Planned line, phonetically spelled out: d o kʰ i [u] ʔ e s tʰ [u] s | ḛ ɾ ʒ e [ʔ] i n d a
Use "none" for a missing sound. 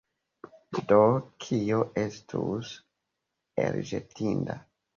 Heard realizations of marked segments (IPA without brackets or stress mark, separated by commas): o, u, t